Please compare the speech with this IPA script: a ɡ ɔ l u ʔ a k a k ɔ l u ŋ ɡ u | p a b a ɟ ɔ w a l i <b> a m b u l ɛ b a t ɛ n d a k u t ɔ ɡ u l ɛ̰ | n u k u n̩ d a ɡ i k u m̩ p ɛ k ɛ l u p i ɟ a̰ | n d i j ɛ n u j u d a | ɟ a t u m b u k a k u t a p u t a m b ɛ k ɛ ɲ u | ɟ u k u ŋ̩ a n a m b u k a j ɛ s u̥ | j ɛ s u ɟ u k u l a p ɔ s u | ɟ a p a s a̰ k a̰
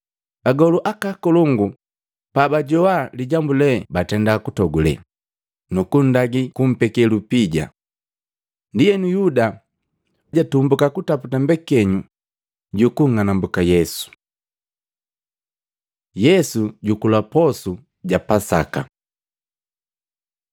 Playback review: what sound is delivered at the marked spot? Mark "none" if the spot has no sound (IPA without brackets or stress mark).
ɟ